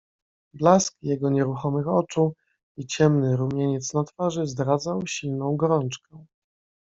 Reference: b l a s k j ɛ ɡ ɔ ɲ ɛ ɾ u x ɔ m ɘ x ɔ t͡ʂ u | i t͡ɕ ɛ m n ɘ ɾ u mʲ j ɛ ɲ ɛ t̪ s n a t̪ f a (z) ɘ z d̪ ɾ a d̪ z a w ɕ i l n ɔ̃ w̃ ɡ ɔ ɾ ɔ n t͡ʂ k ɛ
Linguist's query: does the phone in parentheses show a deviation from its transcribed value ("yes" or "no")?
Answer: yes